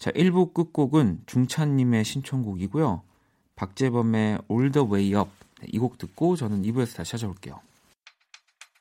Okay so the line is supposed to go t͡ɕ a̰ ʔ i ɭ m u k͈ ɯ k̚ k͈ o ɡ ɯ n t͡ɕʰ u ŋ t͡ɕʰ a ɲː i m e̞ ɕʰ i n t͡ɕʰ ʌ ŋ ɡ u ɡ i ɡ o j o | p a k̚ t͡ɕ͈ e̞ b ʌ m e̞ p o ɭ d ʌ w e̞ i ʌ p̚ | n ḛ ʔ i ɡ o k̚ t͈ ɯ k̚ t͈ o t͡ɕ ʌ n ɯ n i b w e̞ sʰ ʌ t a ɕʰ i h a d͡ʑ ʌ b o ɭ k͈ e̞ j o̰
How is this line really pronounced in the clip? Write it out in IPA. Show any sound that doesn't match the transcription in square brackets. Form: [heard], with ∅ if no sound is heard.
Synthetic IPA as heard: t͡ɕ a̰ ʔ i ɭ [b] u k͈ ɯ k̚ k͈ o ɡ ɯ n [t͡ɕ] u ŋ t͡ɕʰ a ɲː i m e̞ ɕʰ i n t͡ɕʰ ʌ ŋ ɡ u ɡ i ɡ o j o | p a k̚ t͡ɕ͈ e̞ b ʌ m e̞ [∅] o ɭ d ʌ w e̞ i ʌ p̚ | n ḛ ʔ i ɡ o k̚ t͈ ɯ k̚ [k͈] o t͡ɕ ʌ n ɯ n i b [u] e̞ sʰ ʌ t a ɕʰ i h a d͡ʑ ʌ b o ɭ k͈ e̞ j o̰